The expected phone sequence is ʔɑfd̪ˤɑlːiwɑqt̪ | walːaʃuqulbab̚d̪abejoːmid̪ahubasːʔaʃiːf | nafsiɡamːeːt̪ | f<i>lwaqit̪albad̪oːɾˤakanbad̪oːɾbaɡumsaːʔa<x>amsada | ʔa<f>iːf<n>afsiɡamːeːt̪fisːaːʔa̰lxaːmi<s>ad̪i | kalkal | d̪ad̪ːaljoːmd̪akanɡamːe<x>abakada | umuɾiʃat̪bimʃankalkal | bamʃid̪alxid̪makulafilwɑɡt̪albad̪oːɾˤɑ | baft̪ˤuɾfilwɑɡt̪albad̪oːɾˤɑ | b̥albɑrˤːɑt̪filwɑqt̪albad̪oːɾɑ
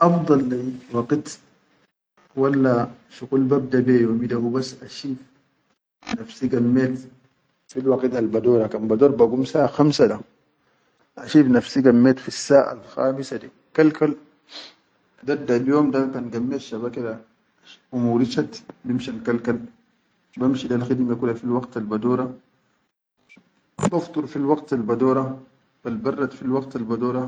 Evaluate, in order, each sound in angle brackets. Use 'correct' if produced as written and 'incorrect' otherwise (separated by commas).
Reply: correct, correct, incorrect, correct, correct, incorrect